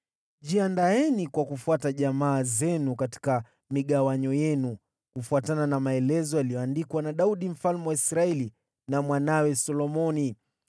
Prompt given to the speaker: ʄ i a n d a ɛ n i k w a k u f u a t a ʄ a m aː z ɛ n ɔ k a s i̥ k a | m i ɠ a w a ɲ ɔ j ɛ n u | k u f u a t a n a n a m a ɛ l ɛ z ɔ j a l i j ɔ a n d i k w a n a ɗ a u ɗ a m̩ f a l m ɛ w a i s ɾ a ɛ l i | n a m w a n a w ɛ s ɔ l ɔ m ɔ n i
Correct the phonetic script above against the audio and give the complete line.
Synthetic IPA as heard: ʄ i a n d a ɛ n i k w a k u f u a t a ʄ a m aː z ɛ n u k a t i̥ k a | m i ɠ a w a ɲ ɔ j ɛ n u | k u f u a t a n a n a m a ɛ l ɛ z ɔ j a l i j ɔ a n d i k w a n a ɗ a u ɗ i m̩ f a l m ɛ w a i s ɾ a ɛ l i | n a m w a n a w ɛ s ɔ l ɔ m ɔ n i

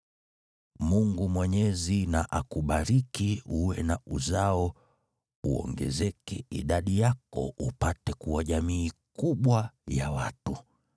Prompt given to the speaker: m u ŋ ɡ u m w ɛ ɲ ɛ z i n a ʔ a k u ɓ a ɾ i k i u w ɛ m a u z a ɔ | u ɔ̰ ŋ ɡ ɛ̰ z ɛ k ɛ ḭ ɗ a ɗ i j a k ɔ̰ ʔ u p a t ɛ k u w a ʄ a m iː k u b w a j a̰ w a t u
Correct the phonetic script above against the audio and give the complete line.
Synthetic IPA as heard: m u ŋ ɡ u m w ɛ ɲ ɛ z i n a ʔ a k u ɓ a ɾ i k i u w ɛ n a u z a ɔ | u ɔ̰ ŋ ɡ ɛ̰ z ɛ k ɛ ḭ ɗ a ɗ i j a k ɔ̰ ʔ u p a t ɛ k u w a ʄ a m iː k u ɓ w a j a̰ w a t u

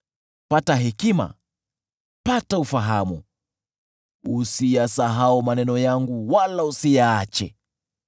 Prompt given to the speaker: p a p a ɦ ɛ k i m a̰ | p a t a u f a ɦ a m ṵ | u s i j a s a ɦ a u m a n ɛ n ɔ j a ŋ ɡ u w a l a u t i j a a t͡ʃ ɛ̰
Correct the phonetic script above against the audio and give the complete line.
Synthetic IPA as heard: p a t a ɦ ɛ k i m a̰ | p a t a u f a ɦ a m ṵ | u s i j a s a ɦ a u m a n ɛ n ɔ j a ŋ ɡ u w a l a u s i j a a t͡ʃ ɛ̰

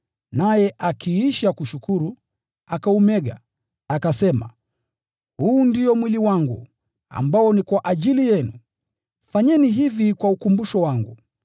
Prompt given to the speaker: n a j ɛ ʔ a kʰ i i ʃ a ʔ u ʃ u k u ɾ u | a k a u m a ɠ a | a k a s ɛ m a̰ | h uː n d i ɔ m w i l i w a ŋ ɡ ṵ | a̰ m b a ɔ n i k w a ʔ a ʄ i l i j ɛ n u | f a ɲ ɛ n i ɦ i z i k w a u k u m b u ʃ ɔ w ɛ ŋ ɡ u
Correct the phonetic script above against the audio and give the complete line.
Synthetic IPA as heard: n a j ɛ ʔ a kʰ i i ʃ a k u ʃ u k u ɾ u | a k a u m ɛ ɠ a | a k a s ɛ m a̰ | h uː n d i ɔ m w i l i w a ŋ ɡ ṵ | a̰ m b a ɔ n i k w a ʔ a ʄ i l i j ɛ n u | f a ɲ ɛ n i ɦ i v i k w a u k u m b u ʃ ɔ w a ŋ ɡ u

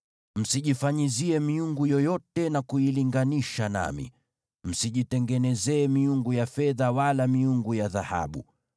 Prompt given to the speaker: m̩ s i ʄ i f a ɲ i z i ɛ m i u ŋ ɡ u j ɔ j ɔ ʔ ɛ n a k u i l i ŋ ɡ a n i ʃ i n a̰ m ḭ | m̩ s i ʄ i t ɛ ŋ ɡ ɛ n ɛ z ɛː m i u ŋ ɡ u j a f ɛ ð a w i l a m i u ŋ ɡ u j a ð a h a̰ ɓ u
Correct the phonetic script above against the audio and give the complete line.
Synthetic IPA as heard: m̩ s i ʄ i f a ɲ i z i ɛ m i u ŋ ɡ u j ɔ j ɔ t ɛ n a k u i l i ŋ ɡ a n i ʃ a n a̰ m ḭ | m̩ s i ʄ i t ɛ ŋ ɡ ɛ n ɛ z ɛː m i u ŋ ɡ u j a f ɛ ð a w a l a m i u ŋ ɡ u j a ð a h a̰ ɓ u

